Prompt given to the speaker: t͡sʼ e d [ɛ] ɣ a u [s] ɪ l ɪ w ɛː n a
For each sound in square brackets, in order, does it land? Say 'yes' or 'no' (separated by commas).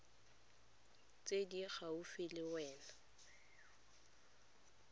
no, no